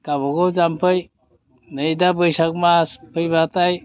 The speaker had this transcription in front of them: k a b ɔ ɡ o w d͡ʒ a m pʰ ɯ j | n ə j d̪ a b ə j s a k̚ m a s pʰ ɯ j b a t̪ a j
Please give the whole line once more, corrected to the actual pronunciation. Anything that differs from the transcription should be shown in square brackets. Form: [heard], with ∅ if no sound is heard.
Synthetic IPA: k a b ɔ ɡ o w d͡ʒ a m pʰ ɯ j | n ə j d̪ a b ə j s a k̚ m a s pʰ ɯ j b a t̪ a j